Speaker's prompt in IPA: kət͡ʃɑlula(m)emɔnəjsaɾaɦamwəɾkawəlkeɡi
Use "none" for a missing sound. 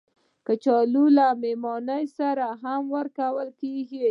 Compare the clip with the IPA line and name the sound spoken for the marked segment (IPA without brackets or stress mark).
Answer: m